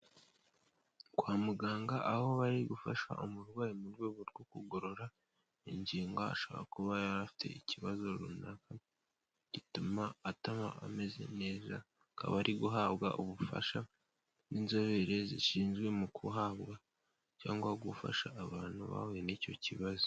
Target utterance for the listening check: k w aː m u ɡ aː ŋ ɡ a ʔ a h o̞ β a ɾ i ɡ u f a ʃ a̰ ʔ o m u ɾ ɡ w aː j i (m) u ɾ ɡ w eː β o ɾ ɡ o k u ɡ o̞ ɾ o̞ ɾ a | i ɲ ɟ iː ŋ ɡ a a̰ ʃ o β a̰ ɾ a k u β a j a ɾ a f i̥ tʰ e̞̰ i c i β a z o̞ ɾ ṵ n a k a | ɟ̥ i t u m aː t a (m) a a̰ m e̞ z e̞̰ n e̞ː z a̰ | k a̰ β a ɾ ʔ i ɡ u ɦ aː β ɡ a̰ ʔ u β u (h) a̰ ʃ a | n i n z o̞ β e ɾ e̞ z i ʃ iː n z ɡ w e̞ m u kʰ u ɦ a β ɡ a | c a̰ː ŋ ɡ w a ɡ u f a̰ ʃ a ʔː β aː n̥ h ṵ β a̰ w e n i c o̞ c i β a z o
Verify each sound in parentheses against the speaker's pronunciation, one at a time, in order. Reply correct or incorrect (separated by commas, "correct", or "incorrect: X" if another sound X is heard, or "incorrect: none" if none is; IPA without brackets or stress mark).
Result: correct, correct, incorrect: f